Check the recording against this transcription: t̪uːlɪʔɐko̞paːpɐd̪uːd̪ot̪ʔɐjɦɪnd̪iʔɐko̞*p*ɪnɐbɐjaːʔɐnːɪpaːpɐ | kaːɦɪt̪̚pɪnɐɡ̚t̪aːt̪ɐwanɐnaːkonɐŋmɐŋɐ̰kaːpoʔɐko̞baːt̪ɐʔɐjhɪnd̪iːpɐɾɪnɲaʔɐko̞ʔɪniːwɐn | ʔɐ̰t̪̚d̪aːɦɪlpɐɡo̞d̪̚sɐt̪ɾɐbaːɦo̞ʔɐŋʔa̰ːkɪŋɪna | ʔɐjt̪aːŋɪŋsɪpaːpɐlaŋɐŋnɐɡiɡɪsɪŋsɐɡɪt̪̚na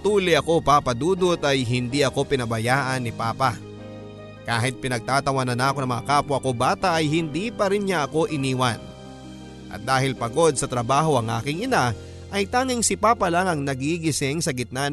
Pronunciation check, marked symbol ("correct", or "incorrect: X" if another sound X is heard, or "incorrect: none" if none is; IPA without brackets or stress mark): correct